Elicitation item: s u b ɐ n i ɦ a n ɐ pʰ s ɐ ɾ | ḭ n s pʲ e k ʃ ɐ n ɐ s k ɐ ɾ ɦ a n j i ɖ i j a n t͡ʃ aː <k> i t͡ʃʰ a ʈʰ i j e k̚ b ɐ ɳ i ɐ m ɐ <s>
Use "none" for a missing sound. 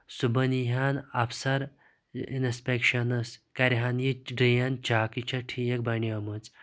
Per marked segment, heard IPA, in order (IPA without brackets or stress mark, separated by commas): k, t͡s